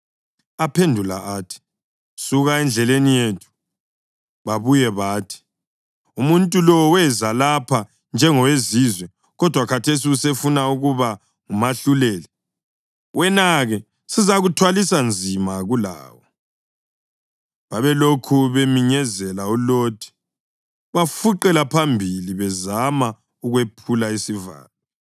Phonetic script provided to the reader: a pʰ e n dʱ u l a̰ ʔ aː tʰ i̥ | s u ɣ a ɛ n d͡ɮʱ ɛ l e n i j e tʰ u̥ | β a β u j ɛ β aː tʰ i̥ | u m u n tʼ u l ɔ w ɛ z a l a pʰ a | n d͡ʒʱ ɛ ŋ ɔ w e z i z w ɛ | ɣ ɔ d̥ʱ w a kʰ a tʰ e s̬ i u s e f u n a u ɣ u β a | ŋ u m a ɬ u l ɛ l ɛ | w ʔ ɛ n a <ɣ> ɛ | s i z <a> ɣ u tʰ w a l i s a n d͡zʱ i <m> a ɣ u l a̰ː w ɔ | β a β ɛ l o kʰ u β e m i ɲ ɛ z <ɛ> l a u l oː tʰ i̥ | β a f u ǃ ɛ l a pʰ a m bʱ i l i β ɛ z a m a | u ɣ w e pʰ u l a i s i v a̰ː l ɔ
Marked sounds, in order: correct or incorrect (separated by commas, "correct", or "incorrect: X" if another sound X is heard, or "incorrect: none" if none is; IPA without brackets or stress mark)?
correct, correct, correct, correct